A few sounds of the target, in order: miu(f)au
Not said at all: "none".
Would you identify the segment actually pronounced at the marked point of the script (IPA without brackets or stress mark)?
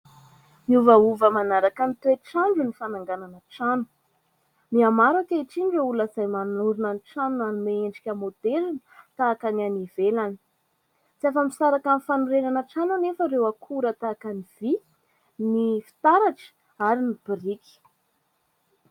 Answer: v